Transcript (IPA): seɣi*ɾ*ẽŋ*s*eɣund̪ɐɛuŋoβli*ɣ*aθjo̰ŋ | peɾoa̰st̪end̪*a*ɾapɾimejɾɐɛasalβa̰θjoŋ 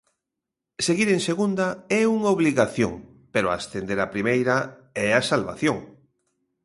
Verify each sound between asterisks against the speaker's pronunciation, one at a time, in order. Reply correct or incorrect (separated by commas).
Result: correct, correct, correct, incorrect